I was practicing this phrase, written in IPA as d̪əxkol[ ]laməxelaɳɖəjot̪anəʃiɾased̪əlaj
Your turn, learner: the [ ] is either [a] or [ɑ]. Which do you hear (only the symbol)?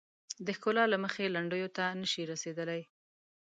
ɑ